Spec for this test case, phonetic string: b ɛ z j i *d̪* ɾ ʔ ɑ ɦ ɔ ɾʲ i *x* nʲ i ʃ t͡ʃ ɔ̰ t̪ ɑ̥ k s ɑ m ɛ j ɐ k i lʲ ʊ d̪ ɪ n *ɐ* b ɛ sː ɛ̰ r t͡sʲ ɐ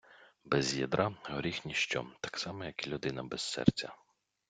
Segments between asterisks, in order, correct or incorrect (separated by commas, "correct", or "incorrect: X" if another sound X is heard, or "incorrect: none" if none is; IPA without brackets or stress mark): correct, correct, correct